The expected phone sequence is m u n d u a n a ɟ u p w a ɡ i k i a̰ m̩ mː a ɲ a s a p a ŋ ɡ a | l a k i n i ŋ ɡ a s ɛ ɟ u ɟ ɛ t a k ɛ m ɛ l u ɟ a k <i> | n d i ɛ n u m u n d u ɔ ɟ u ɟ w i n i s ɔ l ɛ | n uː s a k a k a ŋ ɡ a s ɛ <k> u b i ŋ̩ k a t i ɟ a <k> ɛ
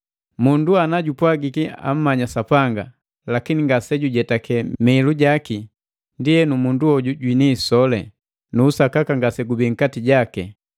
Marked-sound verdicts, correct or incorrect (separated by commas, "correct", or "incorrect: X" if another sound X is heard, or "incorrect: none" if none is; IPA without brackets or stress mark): correct, incorrect: ɡ, correct